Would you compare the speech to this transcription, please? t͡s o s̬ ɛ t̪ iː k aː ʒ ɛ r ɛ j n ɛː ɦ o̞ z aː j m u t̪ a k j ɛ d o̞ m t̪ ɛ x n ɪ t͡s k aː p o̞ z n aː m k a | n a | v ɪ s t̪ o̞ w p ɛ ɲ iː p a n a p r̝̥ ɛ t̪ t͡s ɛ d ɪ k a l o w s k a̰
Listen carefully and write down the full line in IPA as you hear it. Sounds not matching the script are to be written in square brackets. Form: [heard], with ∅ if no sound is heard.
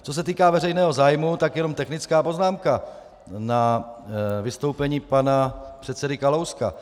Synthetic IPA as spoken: t͡s o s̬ ɛ t̪ iː k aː [v] ɛ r ɛ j n ɛː ɦ o̞ z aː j m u t̪ a k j ɛ [n] o̞ m t̪ ɛ x n ɪ t͡s k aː p o̞ z n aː m k a | n a | v ɪ s t̪ o̞ w p ɛ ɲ iː p a n a p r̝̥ ɛ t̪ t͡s ɛ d ɪ k a l o w s k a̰